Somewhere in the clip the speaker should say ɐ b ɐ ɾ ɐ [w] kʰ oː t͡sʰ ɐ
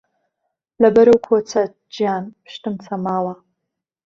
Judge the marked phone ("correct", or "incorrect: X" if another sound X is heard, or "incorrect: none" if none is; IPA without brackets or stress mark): correct